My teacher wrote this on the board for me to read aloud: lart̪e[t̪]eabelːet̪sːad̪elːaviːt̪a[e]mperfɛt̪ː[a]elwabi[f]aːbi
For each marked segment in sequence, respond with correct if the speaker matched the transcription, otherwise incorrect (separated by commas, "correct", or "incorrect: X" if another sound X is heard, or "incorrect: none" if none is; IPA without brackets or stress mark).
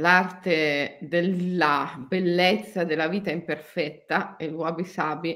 incorrect: d̪, incorrect: i, correct, incorrect: s